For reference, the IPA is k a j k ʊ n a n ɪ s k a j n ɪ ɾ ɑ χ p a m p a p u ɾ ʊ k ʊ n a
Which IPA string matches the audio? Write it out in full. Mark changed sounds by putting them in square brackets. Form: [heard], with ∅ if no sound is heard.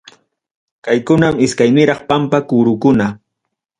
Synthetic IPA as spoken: k a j k ʊ n a [m] ɪ s k a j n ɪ ɾ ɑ χ p a m p a [k] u ɾ ʊ k ʊ n a